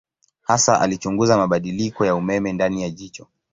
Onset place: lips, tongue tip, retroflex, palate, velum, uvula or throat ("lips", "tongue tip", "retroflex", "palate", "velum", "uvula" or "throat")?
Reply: throat